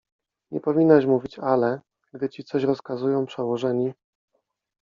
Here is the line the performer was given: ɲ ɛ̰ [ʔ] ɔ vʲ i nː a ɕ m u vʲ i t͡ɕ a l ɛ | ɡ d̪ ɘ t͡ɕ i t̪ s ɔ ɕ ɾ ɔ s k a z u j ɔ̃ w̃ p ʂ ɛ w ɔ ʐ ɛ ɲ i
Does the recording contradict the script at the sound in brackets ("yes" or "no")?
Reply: yes